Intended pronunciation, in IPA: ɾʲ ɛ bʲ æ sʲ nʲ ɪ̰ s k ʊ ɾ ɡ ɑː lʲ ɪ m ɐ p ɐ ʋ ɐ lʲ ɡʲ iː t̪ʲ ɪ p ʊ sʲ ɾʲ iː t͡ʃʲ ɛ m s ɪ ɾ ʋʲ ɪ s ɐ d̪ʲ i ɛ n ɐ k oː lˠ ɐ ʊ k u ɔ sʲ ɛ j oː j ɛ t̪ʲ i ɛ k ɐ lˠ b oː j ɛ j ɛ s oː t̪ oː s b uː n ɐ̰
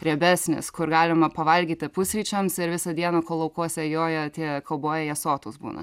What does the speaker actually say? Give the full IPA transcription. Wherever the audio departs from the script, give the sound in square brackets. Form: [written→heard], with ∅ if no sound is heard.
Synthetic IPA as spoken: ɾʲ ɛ bʲ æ sʲ nʲ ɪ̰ s k ʊ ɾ ɡ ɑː lʲ ɪ m ɐ p ɐ ʋ ɐ lʲ ɡʲ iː t̪ʲ ɪ p ʊ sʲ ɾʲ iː t͡ʃʲ ɛ m s ɪ ɾ ʋʲ ɪ s ɐ d̪ʲ i ɛ n ɐ k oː lˠ ɐ ʊ k u ɔ sʲ ɛ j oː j ɛ t̪ʲ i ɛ k ɐ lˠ b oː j ɛ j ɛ s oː t̪ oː s b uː n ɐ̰